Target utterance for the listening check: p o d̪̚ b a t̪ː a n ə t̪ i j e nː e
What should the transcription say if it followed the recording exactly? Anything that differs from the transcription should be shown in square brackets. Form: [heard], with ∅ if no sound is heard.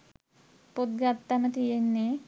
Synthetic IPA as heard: p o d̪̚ [ɡ] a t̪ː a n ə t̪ i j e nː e